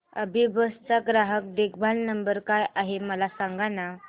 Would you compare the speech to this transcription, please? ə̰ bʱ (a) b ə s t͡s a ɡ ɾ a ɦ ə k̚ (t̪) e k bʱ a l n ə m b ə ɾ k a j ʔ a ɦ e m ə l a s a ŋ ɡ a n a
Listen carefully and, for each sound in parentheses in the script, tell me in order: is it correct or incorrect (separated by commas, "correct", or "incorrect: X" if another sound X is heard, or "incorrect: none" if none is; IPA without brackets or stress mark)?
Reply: incorrect: i, incorrect: d̪